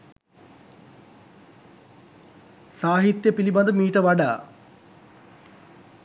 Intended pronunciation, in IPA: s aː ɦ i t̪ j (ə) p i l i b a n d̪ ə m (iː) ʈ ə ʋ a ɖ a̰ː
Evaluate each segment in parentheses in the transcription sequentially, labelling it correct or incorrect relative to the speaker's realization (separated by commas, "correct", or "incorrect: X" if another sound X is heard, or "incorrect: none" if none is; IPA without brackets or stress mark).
correct, correct